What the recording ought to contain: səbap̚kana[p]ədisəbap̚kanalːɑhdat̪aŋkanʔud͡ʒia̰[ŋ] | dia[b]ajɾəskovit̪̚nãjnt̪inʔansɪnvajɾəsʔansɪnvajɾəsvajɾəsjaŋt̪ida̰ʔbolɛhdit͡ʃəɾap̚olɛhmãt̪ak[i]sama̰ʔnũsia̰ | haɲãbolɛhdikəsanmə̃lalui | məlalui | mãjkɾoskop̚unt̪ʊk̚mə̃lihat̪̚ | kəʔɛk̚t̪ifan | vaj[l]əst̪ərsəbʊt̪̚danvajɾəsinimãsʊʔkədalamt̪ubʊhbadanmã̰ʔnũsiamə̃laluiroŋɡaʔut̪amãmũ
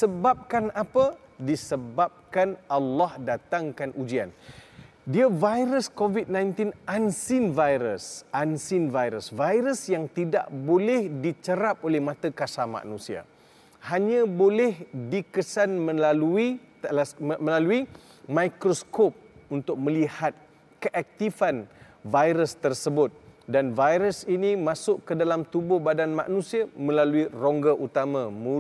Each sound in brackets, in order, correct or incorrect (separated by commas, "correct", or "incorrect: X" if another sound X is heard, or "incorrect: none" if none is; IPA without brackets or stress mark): correct, incorrect: n, incorrect: v, incorrect: a, incorrect: ɾ